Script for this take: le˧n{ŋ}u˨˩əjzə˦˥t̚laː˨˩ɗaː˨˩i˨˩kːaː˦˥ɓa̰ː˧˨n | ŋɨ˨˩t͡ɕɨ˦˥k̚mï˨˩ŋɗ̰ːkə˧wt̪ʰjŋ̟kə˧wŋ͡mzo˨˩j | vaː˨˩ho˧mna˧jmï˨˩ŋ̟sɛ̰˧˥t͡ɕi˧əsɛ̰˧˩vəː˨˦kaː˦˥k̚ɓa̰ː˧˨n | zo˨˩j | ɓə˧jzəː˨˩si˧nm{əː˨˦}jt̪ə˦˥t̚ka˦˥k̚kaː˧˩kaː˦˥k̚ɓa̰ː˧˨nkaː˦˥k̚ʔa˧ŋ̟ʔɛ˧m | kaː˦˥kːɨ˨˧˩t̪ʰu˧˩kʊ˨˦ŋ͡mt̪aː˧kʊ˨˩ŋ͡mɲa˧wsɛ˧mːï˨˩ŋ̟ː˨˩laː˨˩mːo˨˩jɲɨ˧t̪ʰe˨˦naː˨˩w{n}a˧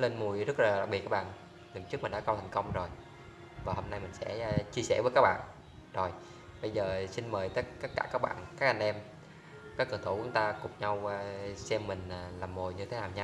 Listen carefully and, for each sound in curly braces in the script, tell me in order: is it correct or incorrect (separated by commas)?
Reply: incorrect, incorrect, incorrect